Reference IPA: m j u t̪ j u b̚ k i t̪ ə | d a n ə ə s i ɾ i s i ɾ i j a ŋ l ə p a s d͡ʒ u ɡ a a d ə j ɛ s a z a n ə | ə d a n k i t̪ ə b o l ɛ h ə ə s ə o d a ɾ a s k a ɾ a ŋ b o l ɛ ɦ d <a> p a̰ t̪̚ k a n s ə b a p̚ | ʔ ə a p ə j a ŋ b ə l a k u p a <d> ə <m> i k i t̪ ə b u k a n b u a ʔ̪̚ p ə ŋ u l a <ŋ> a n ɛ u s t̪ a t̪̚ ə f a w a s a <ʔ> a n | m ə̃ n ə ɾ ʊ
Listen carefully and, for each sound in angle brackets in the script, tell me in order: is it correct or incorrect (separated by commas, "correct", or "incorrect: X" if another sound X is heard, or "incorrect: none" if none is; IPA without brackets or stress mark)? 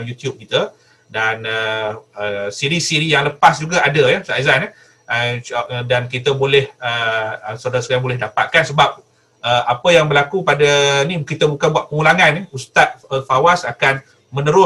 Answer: correct, correct, incorrect: n, correct, incorrect: k